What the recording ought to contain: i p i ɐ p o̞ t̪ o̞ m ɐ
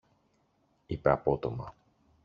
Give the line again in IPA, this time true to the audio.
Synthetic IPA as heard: i p e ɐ p o̞ t̪ o̞ m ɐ